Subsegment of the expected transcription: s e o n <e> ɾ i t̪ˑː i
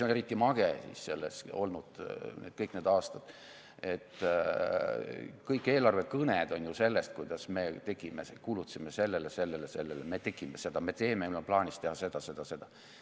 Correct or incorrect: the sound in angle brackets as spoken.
correct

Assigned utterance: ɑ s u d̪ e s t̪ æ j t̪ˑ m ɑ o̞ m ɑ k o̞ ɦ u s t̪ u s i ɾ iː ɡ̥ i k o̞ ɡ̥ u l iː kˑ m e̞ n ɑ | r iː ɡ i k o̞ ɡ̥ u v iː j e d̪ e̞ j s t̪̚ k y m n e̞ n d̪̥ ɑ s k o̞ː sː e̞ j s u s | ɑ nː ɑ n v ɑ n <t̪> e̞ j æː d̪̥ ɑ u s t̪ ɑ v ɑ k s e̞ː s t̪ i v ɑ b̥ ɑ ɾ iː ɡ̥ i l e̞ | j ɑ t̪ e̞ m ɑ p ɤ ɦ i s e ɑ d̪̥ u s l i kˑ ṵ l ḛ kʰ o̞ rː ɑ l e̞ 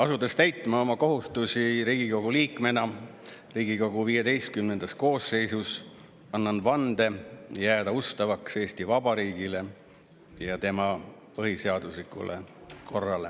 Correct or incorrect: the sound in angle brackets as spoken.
incorrect: d̪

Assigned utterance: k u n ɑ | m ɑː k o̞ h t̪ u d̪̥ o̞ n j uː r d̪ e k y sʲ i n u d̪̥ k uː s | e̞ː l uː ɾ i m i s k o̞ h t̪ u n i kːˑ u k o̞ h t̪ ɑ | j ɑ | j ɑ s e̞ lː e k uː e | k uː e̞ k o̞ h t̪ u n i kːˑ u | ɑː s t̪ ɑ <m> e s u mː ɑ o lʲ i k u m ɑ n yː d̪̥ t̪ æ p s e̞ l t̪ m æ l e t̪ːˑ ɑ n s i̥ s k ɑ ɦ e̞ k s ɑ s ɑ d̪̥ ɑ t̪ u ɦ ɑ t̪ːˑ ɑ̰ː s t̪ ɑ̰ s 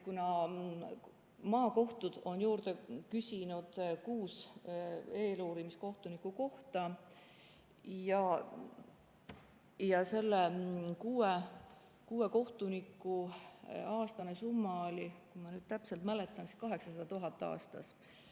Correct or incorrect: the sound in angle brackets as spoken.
incorrect: n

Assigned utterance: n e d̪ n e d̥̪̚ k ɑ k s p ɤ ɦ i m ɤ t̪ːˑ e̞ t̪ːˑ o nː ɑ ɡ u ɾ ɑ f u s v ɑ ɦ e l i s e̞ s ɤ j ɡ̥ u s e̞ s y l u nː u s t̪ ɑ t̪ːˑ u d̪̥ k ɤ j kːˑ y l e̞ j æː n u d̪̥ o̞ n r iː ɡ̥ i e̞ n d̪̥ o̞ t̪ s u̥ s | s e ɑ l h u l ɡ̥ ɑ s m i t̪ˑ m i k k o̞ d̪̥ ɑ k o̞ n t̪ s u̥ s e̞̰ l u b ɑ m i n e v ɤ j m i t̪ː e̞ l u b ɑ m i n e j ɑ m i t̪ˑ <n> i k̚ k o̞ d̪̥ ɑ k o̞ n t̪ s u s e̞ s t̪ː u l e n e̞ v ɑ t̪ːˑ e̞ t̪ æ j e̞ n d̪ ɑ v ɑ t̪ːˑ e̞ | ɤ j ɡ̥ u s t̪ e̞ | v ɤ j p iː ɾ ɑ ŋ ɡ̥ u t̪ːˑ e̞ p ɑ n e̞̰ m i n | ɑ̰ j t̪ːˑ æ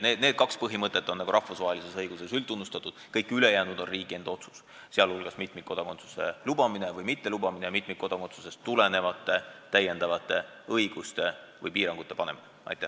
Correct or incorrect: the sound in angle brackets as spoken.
incorrect: m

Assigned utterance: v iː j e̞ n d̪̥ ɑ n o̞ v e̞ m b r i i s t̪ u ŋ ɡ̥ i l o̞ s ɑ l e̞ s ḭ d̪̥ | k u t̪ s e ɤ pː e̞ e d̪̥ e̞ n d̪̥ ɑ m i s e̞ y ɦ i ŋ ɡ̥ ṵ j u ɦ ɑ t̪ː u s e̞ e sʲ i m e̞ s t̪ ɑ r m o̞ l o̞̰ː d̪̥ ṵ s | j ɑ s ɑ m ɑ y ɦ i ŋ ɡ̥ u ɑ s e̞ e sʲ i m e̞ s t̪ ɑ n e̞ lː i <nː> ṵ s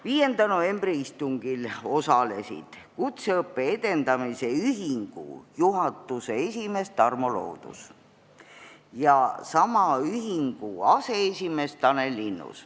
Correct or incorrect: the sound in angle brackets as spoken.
correct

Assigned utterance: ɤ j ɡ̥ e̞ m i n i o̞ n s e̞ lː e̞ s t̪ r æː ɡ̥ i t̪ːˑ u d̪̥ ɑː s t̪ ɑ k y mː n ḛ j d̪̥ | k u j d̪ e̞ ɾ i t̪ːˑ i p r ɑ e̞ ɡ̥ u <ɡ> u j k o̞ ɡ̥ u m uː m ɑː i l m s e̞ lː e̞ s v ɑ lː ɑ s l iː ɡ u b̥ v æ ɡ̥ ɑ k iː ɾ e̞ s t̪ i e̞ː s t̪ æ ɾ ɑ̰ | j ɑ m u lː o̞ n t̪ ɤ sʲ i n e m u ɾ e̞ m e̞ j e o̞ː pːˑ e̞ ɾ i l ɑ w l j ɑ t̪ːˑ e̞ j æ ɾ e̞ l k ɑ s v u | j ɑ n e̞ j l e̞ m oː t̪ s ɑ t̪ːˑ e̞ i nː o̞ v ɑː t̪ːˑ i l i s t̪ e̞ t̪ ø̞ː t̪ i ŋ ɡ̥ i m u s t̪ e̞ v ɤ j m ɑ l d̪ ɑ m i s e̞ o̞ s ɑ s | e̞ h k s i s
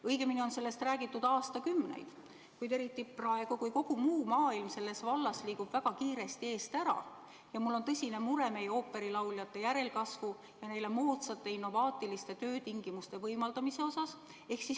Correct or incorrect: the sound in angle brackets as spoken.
incorrect: k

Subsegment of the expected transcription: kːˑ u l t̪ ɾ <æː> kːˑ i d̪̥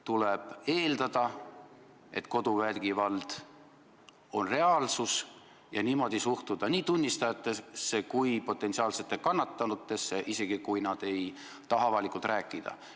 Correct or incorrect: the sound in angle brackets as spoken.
correct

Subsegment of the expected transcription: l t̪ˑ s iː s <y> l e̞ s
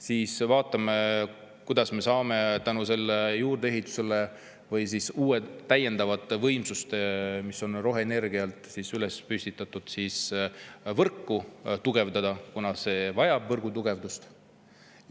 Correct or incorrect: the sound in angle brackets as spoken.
correct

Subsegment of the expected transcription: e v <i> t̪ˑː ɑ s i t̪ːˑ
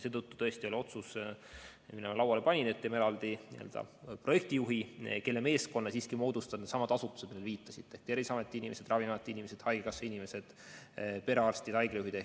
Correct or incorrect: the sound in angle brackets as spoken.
incorrect: iː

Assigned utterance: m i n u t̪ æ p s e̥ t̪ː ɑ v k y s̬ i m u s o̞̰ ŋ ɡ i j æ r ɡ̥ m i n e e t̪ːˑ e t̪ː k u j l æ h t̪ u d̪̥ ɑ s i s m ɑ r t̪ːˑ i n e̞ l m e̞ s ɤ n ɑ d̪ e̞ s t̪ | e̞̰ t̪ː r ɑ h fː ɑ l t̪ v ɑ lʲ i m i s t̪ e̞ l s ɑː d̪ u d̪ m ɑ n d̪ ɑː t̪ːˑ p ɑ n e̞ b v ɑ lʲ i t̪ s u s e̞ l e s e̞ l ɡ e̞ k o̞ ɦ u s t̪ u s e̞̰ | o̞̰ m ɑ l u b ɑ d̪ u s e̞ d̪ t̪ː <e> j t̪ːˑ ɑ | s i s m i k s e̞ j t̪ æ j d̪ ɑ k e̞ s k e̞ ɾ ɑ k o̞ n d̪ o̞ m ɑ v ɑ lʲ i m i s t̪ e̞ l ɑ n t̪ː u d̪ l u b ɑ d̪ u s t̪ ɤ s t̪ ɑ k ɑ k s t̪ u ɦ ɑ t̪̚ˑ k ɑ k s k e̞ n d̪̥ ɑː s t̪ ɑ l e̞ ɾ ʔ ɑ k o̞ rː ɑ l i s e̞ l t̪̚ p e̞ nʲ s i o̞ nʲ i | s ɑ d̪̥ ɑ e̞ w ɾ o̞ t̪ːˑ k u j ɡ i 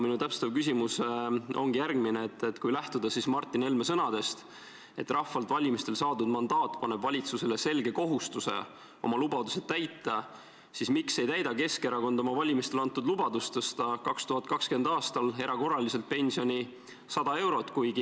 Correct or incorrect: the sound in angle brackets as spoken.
incorrect: æ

